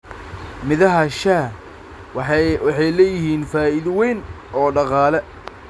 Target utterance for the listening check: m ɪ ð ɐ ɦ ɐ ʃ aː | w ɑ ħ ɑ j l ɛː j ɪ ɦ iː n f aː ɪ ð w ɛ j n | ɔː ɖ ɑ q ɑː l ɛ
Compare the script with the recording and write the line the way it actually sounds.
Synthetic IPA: m ɪ ð ɐ ɦ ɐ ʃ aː | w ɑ ħ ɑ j l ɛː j ɪ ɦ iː n f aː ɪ ð w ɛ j n | ɔː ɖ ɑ q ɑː l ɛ